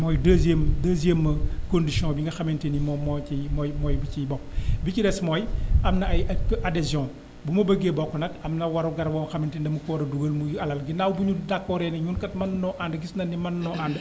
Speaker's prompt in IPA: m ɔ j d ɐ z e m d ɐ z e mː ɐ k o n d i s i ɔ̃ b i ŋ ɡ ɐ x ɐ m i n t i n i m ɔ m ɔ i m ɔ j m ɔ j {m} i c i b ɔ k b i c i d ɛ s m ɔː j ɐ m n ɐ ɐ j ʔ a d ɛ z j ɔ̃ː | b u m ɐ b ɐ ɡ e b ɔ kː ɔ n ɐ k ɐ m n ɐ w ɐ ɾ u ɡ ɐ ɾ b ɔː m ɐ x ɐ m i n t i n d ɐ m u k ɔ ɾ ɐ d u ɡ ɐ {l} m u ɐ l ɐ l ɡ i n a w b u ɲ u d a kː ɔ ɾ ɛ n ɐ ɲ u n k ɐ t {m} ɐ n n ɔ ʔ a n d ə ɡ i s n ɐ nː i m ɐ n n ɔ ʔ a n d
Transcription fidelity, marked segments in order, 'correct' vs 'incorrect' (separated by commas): incorrect, correct, correct